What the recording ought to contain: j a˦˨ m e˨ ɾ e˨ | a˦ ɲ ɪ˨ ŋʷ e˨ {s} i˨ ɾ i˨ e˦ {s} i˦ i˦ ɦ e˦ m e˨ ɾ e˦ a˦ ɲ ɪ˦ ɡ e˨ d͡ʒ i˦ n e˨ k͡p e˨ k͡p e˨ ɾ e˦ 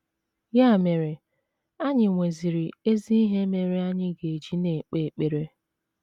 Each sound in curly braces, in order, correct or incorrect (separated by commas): incorrect, incorrect